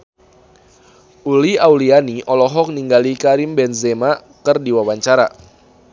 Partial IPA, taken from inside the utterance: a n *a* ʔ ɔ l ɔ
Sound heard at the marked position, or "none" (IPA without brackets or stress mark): i